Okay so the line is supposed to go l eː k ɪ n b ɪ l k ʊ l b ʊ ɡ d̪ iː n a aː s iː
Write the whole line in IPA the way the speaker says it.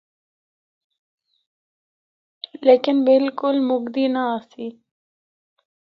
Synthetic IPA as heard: l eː k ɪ n b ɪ l k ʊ l m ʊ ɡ d̪ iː n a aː s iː